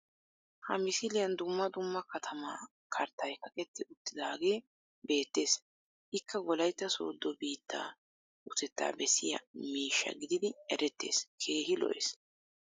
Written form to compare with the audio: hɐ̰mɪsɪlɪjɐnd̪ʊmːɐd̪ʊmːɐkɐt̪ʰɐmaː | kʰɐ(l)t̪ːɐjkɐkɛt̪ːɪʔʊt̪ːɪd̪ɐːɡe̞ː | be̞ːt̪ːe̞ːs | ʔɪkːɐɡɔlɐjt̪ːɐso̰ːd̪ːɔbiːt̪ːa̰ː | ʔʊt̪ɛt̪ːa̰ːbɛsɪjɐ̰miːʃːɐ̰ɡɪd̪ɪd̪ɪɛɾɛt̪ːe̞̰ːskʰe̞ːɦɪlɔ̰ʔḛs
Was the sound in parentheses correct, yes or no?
no